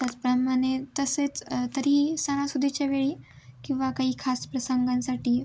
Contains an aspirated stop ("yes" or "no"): yes